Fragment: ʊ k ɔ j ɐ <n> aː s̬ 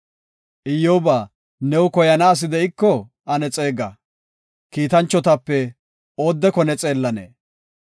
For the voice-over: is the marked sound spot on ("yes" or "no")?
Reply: yes